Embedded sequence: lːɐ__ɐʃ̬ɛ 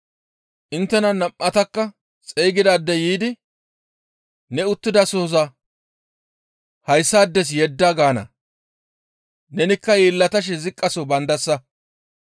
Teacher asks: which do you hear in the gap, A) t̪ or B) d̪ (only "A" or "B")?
A